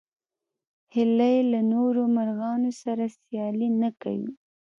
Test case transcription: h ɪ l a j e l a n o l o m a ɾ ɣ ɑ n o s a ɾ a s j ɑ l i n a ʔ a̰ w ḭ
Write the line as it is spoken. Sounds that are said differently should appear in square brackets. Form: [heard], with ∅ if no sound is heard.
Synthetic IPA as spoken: h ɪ l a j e l a n o [ɾ] o m a ɾ ɣ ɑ n o s a ɾ a s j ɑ l i n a [k] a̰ w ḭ